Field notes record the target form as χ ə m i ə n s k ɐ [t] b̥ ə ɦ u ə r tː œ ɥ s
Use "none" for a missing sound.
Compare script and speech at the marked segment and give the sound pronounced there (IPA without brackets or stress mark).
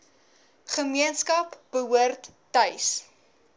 p